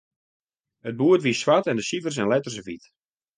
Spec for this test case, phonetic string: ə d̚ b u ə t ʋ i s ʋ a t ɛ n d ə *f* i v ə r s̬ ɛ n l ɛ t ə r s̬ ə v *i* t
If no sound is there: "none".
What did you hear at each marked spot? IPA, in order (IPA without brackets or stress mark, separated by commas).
s, i